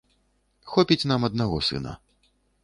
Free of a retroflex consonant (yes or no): yes